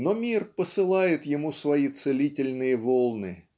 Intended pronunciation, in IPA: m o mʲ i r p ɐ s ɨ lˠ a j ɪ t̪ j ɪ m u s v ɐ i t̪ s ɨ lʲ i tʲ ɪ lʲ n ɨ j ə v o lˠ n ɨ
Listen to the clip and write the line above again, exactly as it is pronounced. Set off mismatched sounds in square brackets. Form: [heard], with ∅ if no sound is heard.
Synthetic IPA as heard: [n] o mʲ i r p [ə] s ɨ lˠ a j ɪ t̪ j ɪ m u s v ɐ i t̪ s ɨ lʲ i tʲ ɪ lʲ n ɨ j ə v o lˠ n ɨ